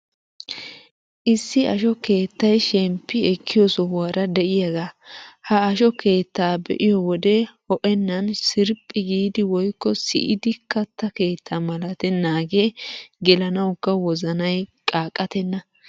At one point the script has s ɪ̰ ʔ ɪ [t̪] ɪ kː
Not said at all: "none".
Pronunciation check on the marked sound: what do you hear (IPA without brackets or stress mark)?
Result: d̪